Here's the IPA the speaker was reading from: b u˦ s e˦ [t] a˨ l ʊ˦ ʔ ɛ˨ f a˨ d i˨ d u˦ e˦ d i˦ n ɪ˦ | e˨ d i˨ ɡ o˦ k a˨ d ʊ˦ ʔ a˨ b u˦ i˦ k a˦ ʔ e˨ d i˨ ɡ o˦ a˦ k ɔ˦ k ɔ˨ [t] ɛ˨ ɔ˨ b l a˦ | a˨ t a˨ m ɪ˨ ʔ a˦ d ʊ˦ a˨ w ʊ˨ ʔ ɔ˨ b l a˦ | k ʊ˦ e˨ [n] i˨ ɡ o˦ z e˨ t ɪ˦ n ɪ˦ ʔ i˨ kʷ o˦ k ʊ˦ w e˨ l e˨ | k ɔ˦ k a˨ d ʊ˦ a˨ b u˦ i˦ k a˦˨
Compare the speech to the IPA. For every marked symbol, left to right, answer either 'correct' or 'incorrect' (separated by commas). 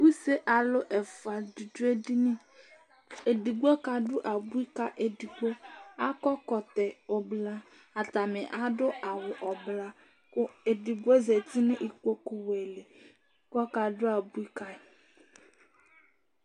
incorrect, correct, incorrect